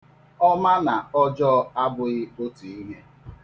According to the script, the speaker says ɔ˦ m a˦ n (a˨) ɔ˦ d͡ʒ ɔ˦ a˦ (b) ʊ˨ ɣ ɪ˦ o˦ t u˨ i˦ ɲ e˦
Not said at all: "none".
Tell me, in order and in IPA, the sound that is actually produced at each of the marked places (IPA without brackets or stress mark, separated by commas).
a˨, b